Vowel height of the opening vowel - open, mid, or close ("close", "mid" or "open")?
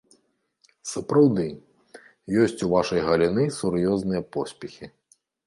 open